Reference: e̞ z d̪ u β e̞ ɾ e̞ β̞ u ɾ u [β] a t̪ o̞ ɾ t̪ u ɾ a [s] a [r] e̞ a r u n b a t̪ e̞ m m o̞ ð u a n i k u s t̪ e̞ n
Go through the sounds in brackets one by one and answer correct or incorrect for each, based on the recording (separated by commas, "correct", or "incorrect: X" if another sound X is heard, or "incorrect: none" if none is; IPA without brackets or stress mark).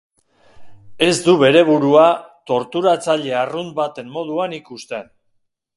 incorrect: none, incorrect: t͡s, incorrect: ʎ